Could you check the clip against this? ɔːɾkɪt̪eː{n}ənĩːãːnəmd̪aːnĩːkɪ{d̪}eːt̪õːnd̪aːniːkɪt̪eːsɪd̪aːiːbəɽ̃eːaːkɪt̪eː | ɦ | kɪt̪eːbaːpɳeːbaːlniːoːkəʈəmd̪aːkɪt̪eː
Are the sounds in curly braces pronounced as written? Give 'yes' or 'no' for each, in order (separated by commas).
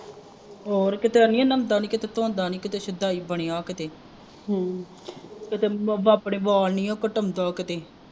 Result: no, no